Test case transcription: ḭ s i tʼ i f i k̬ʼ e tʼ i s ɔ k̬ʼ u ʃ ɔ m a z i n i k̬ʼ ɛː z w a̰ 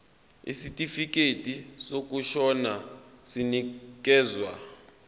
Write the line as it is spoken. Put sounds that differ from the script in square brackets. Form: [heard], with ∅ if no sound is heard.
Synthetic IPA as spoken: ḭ s i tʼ i f i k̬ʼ e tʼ i s [o] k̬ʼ u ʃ ɔ [n] a [s] i n i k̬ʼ ɛː z w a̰